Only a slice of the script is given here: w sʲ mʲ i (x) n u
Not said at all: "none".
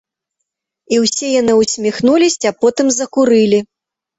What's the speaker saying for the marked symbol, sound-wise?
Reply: x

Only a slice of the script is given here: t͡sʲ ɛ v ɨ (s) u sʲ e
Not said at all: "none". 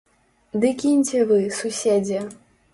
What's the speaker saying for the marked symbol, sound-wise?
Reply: s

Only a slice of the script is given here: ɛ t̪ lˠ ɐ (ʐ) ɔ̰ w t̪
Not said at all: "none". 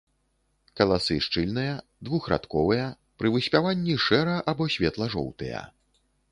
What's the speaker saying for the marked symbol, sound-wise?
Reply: ʐ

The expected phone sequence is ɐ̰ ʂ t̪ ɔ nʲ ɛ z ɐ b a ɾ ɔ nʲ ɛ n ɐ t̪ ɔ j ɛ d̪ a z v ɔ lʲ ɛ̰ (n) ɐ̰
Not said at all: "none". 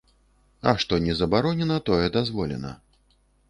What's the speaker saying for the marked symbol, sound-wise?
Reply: n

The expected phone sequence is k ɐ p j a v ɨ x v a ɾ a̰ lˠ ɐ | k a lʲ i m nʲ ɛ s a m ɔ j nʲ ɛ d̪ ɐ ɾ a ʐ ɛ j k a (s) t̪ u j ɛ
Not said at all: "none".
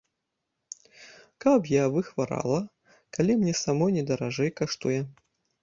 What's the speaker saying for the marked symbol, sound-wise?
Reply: ʂ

